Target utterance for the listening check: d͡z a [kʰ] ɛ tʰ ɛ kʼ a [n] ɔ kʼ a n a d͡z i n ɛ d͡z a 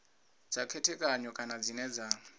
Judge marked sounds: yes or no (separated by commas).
yes, no